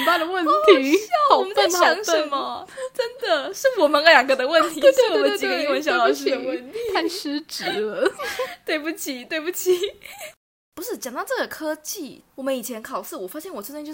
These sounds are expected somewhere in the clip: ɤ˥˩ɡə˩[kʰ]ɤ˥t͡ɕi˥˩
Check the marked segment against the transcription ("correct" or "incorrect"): correct